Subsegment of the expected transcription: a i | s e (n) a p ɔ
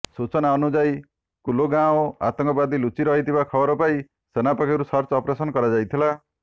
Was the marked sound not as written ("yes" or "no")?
no